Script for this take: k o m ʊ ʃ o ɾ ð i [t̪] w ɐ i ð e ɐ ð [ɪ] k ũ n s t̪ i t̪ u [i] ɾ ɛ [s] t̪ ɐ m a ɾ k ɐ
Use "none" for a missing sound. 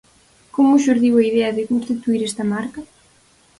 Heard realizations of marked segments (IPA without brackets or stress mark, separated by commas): none, ɪ, i, s